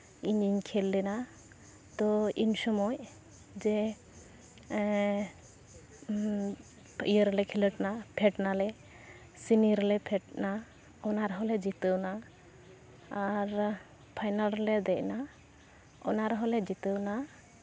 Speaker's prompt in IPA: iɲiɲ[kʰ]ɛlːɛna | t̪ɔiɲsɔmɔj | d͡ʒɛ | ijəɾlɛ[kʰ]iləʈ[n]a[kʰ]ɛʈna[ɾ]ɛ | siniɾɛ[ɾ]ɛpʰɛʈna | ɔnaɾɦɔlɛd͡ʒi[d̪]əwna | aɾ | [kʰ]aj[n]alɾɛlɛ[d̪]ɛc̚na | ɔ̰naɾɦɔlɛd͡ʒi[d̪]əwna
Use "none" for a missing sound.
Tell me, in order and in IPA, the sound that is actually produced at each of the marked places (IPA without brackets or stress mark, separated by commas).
kʰ, kʰ, n, pʰ, l, l, t̪, pʰ, n, d̪, t̪